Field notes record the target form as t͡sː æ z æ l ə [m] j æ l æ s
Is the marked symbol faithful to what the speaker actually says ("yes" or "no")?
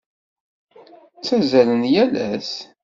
no